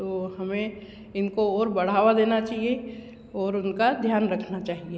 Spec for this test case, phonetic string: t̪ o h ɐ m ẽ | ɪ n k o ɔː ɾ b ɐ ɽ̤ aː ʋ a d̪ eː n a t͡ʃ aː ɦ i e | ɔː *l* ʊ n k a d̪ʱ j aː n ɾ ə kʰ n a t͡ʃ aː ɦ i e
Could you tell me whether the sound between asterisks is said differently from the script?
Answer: yes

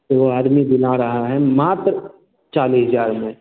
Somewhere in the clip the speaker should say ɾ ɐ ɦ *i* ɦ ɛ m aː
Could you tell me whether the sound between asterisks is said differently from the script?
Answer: yes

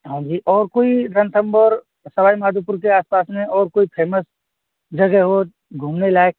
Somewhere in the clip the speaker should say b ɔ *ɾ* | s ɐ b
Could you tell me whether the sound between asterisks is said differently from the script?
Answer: no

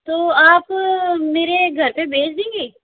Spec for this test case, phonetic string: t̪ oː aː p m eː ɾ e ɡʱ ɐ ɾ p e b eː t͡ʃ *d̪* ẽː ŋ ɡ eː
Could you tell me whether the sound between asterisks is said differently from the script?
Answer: no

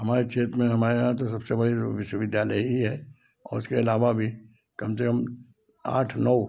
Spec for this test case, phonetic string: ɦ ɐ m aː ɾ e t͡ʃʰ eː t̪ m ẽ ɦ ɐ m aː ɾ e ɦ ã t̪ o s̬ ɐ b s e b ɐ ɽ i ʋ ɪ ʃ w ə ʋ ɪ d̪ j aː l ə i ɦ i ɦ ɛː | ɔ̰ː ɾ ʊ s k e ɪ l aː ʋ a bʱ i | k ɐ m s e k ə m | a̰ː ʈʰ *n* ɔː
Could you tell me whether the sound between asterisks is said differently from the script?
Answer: no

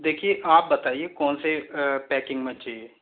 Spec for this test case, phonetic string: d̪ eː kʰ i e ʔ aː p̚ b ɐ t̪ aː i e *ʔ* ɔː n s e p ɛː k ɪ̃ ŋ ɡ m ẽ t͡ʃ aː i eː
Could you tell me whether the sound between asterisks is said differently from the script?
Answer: yes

